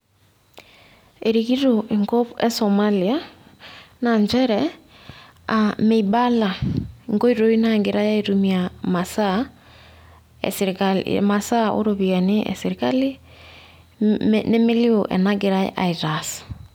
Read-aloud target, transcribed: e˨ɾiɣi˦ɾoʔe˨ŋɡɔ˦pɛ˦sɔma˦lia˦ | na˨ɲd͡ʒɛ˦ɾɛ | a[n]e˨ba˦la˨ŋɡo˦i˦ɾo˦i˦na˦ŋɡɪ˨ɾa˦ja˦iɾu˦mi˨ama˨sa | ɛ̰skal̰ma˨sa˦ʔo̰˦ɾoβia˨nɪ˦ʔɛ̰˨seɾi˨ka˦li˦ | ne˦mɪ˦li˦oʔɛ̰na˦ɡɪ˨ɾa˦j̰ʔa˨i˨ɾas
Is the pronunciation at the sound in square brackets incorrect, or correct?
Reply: incorrect